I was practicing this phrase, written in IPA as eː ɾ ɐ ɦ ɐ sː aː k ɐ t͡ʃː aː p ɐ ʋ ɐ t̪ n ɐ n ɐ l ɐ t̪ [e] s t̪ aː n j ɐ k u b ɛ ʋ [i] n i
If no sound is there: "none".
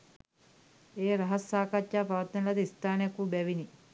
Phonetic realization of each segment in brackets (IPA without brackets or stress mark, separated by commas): i, i